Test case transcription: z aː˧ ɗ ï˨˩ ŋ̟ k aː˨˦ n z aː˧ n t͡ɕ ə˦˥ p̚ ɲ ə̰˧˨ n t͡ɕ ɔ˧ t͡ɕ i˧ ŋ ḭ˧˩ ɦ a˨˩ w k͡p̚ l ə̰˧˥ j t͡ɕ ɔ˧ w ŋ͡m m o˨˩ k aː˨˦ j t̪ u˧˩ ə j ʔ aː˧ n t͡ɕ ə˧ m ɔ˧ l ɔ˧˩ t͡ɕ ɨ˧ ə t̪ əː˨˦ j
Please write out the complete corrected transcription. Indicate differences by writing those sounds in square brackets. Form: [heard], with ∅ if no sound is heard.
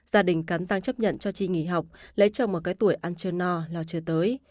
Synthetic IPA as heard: z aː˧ ɗ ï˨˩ ŋ̟ k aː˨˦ n z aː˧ [ŋ] t͡ɕ ə˦˥ p̚ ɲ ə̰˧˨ n t͡ɕ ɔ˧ t͡ɕ i˧ ŋ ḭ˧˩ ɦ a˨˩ w k͡p̚ l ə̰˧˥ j t͡ɕ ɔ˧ w ŋ͡m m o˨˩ k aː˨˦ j t̪ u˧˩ ə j ʔ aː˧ n t͡ɕ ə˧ [n] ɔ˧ l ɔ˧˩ t͡ɕ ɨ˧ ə t̪ əː˨˦ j